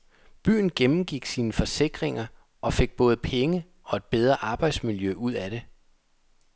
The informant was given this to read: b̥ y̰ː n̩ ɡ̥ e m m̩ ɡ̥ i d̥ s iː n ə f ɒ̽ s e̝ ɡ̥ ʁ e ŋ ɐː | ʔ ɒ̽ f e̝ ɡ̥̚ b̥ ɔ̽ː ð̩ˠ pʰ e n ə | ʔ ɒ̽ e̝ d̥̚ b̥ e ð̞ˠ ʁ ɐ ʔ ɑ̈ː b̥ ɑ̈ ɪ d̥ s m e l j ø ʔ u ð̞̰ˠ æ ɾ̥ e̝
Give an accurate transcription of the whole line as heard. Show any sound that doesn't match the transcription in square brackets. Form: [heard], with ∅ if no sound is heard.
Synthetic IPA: b̥ y̰ː n̩ ɡ̥ e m m̩ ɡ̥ i [ɡ̥] s iː n ə f ɒ̽ s e̝ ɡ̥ ʁ e ŋ [ɐ] | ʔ ɒ̽ f e̝ ɡ̥̚ b̥ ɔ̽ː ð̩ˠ pʰ e [ŋ] ə | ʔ ɒ̽ e̝ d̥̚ b̥ e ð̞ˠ ʁ ɐ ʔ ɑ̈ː b̥ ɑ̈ ɪ d̥ s m [i] l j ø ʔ u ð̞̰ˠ æ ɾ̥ e̝